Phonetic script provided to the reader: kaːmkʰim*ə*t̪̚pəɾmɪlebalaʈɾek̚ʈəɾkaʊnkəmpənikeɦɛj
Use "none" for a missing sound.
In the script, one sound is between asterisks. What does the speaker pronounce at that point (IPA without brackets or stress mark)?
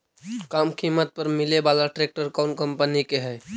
ə